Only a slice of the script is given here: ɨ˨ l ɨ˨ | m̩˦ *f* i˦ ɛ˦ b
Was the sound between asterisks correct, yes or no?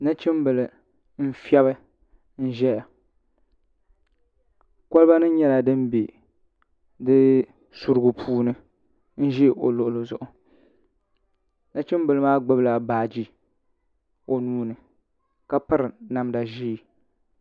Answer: yes